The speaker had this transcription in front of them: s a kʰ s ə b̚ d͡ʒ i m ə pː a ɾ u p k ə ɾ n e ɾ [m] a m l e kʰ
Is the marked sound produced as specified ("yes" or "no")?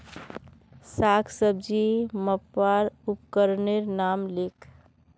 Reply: no